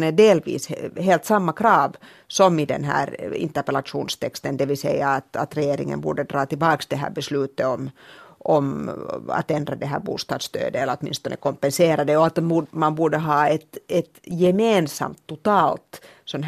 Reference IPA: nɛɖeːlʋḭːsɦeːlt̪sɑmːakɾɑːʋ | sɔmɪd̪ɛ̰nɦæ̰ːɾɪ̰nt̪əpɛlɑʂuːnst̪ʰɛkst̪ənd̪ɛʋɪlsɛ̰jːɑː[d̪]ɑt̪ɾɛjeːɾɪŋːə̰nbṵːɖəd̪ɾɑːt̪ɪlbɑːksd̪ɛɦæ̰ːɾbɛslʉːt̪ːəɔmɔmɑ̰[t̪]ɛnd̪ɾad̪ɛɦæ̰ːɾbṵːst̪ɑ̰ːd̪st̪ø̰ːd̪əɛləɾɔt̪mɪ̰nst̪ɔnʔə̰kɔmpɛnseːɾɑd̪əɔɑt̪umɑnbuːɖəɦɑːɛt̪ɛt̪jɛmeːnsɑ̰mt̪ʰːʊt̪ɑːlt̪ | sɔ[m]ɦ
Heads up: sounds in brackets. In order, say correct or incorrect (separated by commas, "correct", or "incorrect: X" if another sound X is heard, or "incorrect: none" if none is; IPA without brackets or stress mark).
incorrect: t̪, correct, incorrect: n